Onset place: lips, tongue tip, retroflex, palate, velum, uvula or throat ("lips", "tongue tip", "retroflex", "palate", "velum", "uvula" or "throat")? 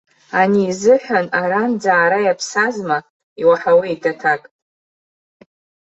tongue tip